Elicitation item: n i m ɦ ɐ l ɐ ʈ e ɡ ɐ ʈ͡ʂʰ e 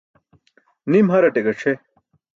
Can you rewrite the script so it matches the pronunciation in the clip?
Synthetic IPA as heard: n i m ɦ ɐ ɾ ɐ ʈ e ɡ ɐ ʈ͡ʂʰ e